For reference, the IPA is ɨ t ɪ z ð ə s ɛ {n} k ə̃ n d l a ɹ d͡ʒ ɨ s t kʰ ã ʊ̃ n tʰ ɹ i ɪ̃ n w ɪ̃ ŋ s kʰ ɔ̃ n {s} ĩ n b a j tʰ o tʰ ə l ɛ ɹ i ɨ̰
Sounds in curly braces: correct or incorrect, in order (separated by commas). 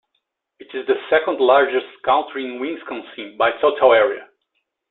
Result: incorrect, correct